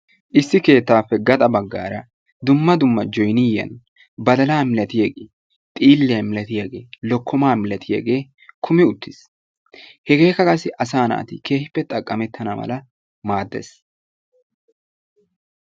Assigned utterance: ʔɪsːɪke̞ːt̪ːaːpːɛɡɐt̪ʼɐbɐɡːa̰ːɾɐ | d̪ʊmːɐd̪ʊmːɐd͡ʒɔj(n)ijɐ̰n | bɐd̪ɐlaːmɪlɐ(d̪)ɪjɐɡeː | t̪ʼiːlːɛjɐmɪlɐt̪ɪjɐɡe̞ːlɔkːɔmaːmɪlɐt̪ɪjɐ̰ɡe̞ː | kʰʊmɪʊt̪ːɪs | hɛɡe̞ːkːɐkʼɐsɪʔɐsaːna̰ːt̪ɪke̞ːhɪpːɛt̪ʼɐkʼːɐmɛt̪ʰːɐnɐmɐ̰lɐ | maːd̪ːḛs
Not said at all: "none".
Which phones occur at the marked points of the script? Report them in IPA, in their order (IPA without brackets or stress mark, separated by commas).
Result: n, t̪